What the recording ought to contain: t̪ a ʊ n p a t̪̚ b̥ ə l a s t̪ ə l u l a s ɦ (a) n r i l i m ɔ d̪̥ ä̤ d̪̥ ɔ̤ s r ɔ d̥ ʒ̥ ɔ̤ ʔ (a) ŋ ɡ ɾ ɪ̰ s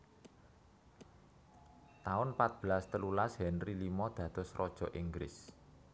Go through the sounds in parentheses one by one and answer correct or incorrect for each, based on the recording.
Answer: incorrect: ɛ, incorrect: i

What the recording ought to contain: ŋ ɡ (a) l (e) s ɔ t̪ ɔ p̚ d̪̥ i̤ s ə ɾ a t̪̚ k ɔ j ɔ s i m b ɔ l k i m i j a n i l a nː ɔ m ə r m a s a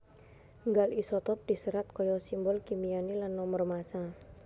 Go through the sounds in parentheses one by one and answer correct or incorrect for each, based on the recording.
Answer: correct, incorrect: i

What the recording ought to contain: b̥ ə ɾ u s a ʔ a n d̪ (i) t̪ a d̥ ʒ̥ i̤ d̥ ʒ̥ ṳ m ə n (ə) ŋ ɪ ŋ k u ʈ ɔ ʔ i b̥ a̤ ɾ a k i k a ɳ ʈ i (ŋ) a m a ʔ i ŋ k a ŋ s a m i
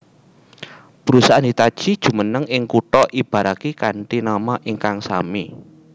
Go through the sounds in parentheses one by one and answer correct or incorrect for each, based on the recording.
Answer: correct, correct, incorrect: n

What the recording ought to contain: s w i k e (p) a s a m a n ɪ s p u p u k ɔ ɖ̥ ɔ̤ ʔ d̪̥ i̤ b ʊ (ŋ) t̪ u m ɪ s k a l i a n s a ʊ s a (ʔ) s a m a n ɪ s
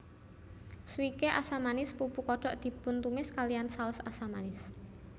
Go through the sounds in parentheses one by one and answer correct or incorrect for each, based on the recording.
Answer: incorrect: ʔ, incorrect: n, incorrect: none

